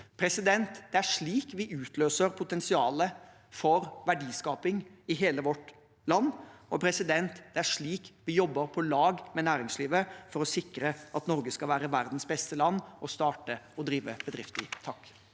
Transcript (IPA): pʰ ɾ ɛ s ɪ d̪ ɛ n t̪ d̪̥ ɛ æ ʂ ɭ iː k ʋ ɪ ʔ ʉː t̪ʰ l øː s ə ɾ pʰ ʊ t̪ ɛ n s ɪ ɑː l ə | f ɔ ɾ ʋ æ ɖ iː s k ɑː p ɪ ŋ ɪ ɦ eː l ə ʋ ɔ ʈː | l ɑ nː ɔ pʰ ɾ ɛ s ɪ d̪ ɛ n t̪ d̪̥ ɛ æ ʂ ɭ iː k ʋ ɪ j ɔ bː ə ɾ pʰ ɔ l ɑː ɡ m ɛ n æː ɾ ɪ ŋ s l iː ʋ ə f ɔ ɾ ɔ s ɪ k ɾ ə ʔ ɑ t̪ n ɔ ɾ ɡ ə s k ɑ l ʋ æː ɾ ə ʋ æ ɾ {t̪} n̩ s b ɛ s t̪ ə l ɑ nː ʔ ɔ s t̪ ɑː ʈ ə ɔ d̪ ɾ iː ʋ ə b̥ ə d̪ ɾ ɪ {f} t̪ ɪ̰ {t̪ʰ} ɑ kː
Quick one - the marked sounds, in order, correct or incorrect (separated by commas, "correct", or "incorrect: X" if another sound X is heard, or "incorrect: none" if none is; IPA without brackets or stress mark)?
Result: incorrect: d̪, correct, correct